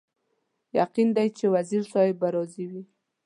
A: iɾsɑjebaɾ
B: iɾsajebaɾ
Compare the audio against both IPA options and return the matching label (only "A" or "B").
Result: A